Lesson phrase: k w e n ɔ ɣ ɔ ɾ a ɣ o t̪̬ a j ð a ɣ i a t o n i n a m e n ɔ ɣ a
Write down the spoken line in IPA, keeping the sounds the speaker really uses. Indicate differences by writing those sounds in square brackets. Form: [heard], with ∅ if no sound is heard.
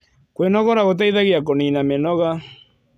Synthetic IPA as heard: k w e n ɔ ɣ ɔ ɾ a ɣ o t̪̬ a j ð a ɣ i a [k] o n i n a m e n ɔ ɣ a